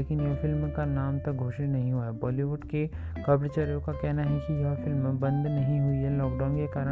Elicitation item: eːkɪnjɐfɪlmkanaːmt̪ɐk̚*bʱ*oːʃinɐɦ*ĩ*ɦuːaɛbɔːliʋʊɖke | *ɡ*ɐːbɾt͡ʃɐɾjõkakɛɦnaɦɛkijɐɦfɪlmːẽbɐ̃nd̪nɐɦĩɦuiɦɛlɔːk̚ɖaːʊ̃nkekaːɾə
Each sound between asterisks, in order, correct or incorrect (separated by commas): incorrect, correct, incorrect